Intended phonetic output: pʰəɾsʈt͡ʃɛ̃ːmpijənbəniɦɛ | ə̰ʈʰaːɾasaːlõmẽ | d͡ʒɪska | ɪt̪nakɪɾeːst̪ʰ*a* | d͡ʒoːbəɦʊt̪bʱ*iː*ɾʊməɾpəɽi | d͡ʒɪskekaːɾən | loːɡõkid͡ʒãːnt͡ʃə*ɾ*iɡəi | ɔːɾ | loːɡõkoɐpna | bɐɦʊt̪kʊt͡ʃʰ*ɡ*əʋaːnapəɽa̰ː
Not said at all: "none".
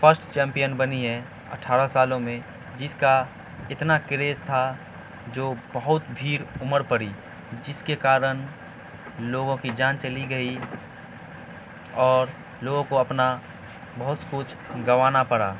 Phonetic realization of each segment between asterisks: a, iː, l, ɡ

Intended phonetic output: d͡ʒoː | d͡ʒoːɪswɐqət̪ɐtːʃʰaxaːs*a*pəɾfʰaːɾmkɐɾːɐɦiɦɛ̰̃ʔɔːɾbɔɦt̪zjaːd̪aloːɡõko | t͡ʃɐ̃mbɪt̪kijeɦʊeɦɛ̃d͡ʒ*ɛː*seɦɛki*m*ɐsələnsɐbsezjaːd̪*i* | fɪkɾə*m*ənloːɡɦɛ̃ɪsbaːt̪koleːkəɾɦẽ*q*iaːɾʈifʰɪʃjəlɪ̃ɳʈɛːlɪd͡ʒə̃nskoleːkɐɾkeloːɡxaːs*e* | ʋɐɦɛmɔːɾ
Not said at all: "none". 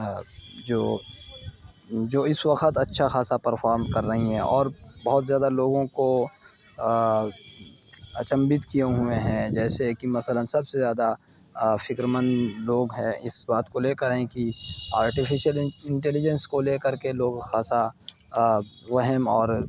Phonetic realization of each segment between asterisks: a, ɛː, m, a, m, k, a

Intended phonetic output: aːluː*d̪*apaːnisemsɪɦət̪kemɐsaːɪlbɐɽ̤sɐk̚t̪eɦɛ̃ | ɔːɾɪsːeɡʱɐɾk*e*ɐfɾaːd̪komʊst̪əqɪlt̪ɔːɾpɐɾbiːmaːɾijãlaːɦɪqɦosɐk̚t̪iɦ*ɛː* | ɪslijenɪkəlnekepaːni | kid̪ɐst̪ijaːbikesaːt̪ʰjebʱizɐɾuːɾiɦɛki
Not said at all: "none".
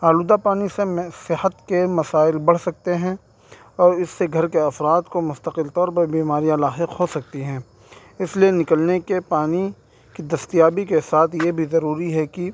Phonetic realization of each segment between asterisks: d̪, e, ɛ̃ː

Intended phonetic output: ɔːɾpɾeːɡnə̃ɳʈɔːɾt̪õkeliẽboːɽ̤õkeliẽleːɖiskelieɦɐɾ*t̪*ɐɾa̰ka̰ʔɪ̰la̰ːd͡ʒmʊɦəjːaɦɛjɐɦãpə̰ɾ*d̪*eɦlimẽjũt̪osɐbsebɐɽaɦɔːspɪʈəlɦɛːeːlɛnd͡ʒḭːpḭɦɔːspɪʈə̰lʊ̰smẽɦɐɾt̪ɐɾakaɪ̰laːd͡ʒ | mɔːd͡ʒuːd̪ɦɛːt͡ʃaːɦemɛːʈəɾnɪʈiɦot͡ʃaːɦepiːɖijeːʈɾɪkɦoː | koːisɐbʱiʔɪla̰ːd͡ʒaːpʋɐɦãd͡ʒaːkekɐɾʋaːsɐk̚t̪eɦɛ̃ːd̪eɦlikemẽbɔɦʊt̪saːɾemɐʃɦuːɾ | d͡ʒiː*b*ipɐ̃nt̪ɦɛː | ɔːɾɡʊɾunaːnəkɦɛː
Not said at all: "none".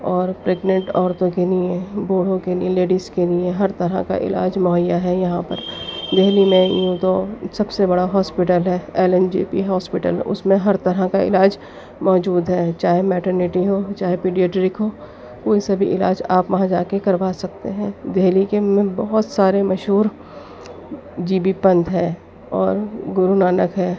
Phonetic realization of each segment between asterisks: t̪, d̪, b

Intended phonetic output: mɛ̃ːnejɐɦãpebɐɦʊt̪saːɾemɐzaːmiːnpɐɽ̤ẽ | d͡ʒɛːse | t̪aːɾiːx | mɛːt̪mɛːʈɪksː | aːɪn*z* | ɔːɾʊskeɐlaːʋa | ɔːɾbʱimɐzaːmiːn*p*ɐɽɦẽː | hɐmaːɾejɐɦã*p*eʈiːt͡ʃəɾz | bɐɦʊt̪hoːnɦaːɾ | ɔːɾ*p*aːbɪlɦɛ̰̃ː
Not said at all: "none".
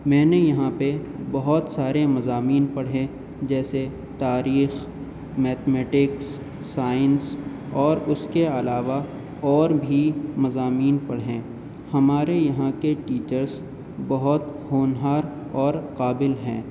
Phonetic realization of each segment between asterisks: s, p, k, q

